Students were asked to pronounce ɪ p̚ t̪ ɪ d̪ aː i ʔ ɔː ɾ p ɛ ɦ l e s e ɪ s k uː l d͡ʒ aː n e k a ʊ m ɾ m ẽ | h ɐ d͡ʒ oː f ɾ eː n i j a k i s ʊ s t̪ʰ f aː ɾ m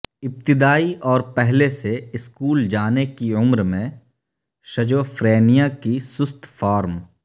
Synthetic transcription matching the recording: ɪ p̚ t̪ ɪ d̪ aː i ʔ ɔː ɾ p ɛ ɦ l e s e ɪ s k uː l d͡ʒ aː n e k i ʊ m ɾ m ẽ | ʃ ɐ d͡ʒ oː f ɾ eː n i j a k i s ʊ s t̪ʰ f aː ɾ m